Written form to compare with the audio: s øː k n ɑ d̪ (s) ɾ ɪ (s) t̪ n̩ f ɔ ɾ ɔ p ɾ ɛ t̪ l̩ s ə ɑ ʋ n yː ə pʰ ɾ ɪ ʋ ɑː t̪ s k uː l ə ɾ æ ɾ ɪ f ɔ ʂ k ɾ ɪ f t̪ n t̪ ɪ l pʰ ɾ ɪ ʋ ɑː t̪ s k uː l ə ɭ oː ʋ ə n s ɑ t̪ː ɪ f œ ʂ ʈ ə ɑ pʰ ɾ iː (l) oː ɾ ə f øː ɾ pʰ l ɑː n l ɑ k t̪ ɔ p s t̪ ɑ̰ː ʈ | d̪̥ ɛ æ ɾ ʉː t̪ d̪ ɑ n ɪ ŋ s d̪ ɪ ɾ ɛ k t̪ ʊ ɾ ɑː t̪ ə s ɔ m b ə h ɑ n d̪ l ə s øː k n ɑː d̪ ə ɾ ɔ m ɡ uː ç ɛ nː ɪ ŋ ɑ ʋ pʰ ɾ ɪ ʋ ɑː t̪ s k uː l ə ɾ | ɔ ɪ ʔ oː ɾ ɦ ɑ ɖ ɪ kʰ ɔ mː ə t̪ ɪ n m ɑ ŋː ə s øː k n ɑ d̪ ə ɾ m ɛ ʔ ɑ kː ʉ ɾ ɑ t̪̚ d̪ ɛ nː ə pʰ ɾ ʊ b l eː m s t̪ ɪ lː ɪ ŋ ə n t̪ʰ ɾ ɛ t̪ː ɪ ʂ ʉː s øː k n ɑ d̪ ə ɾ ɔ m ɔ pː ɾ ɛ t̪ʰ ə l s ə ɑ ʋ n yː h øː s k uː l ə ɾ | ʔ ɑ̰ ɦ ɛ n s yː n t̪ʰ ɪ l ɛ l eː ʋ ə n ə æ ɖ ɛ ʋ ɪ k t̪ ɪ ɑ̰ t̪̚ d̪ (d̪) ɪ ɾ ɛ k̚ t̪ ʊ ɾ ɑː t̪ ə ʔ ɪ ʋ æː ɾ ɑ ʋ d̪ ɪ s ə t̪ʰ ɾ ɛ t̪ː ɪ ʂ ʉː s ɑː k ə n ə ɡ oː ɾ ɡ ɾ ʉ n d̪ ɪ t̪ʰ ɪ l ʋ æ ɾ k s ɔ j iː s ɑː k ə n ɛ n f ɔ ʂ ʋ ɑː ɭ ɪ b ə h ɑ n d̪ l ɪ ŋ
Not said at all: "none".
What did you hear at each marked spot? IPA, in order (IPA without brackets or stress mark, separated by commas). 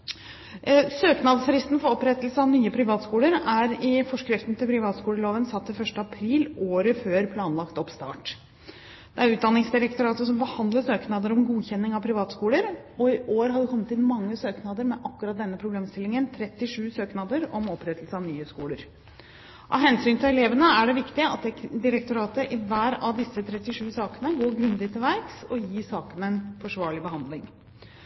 s, s, l, d̪